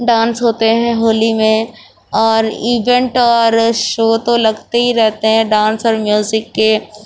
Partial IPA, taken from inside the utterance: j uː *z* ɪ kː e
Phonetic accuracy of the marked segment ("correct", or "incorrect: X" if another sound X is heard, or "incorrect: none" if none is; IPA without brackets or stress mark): correct